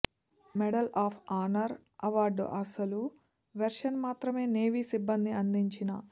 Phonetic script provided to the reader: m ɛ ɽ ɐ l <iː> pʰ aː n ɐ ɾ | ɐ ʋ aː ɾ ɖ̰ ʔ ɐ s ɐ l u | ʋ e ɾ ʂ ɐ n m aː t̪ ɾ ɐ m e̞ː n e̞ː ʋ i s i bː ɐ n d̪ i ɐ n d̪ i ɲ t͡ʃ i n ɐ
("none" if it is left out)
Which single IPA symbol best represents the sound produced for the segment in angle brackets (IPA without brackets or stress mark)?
aː